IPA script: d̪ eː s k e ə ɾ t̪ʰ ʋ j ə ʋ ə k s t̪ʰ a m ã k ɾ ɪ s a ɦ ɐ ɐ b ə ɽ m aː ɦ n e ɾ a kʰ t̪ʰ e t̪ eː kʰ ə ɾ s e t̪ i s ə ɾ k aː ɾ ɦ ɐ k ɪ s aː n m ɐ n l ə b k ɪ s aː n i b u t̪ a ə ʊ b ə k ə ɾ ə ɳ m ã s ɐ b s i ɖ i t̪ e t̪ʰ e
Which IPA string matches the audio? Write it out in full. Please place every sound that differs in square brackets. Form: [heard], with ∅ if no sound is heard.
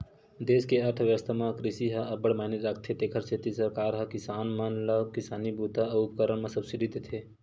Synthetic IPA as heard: d̪ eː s k e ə ɾ t̪ʰ ʋ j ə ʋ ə [∅] s t̪ʰ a m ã k ɾ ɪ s [i] ɦ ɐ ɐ b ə ɽ m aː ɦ n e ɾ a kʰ t̪ʰ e t̪ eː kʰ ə ɾ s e t̪ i s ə ɾ k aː ɾ ɦ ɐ k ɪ s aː n m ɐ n l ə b k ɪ s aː n i b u t̪ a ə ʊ [p] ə k ə ɾ ə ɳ m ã s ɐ b s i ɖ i t̪ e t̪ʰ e